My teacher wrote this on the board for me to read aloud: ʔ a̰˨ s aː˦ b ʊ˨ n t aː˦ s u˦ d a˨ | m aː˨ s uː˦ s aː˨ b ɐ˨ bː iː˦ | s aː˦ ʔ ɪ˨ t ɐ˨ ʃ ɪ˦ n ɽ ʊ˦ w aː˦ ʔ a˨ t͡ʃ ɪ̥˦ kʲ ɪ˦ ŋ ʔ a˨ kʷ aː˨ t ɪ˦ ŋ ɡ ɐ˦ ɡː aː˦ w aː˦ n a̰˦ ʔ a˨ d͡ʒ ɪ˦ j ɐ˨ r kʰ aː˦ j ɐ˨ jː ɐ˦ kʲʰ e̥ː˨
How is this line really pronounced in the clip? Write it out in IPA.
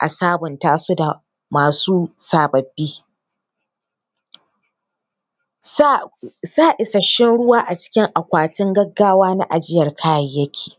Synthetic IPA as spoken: ʔ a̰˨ s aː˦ b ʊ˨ n t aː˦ s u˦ d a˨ | m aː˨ s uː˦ s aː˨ b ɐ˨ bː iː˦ | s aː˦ ʔ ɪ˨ s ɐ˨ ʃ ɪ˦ n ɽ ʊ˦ w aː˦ ʔ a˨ t͡ʃ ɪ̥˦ kʲ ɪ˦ ŋ ʔ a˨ kʷ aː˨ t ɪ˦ ŋ ɡ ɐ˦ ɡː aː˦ w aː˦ n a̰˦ ʔ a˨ d͡ʒ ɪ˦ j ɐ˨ r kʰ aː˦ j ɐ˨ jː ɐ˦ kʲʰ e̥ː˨